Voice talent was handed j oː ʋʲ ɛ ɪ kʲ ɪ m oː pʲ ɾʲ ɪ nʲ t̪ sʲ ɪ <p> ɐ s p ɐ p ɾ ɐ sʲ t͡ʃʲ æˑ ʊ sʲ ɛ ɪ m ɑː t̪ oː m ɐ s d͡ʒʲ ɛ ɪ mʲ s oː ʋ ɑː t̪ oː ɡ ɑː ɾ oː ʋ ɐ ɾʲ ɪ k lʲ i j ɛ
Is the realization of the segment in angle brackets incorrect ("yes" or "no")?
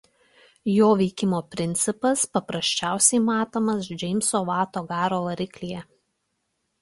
no